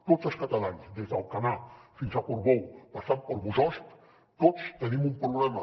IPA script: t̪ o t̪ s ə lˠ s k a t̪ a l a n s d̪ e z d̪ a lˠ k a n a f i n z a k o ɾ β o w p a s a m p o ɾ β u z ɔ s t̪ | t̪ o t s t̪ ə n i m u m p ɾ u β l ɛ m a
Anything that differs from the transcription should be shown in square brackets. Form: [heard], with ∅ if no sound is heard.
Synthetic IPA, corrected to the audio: t̪ o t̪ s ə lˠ s k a t̪ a l a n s d̪ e z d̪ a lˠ k a n a f i n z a k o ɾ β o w p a s a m p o ɾ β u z ɔ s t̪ | t̪ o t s t̪ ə n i m u m p ɾ u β l ɛ m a